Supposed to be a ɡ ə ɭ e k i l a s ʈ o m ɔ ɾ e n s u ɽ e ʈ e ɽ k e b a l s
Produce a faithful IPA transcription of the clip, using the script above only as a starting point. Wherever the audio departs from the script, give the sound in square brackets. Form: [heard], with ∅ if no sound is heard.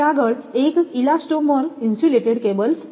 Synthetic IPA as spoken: a ɡ ə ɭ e k i l a s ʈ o m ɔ ɾ [i] n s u [l] e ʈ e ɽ k e b [ə] l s